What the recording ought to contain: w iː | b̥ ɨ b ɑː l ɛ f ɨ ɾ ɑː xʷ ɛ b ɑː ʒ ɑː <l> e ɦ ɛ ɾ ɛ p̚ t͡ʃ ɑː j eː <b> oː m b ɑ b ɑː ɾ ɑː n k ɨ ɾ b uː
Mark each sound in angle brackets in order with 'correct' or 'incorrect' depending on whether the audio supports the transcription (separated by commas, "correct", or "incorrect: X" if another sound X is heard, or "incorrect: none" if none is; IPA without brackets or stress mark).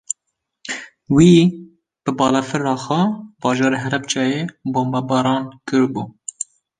incorrect: ɾ, correct